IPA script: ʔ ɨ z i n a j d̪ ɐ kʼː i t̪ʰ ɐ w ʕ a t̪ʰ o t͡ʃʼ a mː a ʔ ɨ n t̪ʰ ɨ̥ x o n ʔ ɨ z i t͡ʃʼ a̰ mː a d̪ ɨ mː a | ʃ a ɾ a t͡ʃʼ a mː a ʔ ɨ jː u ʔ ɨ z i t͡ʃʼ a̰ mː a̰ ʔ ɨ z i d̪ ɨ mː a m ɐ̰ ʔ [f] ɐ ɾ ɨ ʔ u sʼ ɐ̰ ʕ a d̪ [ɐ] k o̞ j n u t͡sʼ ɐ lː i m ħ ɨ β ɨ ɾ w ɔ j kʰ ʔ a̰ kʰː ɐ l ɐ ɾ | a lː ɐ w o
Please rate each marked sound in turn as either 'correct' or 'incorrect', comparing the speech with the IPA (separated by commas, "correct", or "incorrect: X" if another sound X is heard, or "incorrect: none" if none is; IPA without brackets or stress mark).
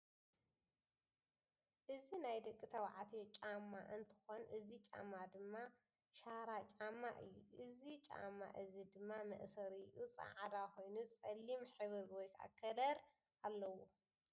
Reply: incorrect: s, incorrect: a